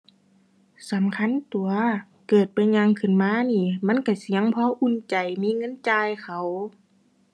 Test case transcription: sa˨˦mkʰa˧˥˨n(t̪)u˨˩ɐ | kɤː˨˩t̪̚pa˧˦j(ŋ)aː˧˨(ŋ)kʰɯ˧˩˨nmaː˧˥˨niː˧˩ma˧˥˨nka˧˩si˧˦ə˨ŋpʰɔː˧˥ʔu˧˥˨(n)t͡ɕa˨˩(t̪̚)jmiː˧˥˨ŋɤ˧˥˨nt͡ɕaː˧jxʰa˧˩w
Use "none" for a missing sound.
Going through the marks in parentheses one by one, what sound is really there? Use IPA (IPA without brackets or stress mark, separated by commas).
t̪, ɲ, ŋ, n, none